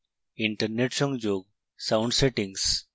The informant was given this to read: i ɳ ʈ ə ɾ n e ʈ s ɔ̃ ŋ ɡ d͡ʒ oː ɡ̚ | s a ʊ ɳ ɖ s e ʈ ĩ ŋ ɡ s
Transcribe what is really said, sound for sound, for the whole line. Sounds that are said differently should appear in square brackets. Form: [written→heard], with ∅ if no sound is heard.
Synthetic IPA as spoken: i ɳ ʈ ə ɾ n e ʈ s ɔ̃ ŋ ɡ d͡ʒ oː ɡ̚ | s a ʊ ɳ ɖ s e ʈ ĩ ŋ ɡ s